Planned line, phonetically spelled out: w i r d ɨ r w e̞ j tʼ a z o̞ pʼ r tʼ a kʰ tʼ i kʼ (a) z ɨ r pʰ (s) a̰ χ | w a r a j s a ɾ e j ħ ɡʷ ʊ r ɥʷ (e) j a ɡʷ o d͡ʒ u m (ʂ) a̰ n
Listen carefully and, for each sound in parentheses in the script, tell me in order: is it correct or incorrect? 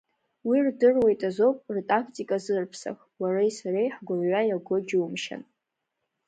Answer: correct, correct, incorrect: a, incorrect: ʃ

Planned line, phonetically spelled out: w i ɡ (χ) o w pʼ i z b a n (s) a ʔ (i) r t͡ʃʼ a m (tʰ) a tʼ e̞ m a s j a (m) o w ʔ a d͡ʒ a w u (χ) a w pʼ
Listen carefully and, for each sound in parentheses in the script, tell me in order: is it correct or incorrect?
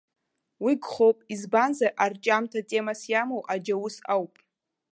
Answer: correct, incorrect: z, incorrect: a, correct, correct, incorrect: s

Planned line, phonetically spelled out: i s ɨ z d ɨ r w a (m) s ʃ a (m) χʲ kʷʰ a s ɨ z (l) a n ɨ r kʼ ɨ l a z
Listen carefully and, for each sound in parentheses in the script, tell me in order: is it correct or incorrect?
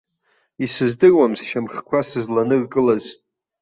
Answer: correct, correct, correct

